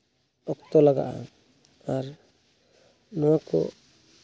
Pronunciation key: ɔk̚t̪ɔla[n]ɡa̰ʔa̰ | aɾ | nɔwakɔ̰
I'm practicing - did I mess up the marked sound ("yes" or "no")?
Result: yes